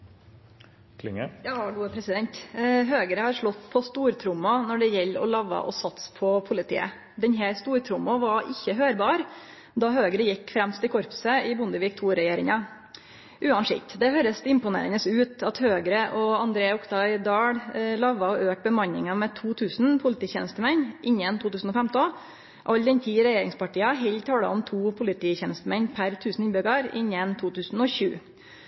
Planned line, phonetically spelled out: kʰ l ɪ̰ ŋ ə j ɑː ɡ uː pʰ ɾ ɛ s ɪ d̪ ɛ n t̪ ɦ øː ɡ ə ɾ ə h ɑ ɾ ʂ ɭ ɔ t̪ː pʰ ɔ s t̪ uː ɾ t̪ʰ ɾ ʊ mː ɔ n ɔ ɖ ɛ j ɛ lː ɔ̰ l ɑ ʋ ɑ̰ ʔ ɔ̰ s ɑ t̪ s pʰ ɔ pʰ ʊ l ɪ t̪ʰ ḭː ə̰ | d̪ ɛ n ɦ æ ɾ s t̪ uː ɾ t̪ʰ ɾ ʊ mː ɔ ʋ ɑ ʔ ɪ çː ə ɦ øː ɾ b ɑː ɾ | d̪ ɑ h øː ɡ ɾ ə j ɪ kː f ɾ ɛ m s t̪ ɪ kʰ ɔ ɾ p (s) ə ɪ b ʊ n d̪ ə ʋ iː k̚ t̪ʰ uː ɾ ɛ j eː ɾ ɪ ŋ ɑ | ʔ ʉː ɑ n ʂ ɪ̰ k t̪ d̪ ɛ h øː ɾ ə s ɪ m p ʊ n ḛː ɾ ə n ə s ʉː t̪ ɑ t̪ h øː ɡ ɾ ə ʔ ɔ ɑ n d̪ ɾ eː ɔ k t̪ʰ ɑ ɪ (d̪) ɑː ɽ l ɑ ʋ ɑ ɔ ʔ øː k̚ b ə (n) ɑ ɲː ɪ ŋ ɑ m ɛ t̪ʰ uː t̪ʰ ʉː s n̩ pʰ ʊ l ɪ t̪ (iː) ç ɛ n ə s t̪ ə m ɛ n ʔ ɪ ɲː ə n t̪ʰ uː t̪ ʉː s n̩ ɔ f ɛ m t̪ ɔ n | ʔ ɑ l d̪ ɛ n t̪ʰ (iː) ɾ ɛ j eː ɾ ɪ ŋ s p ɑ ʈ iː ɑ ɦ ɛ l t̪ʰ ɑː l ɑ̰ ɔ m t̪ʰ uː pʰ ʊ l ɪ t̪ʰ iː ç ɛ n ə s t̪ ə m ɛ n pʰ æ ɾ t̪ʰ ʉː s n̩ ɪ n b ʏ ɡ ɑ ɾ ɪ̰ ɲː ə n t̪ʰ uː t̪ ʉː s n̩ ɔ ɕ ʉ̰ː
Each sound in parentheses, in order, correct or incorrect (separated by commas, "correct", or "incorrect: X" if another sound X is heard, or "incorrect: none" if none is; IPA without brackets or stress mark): correct, correct, incorrect: m, correct, correct